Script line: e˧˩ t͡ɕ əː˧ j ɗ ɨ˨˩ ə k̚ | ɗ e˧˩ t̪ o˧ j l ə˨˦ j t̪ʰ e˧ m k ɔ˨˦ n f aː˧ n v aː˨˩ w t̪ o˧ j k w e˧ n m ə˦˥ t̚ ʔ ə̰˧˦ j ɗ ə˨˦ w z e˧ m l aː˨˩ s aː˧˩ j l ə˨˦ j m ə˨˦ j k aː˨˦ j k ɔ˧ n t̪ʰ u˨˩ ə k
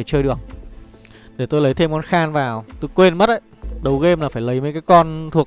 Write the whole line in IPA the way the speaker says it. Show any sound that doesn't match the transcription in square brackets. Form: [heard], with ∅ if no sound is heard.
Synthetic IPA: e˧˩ t͡ɕ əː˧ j ɗ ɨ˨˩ ə k̚ | ɗ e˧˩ t̪ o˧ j l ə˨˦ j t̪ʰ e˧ m k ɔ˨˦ n [x] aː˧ n v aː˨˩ w t̪ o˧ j k w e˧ n m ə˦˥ t̚ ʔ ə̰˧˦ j ɗ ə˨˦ w [ɣ] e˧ m l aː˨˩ [f] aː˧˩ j l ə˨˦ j m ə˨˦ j k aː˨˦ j k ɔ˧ n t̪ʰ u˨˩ ə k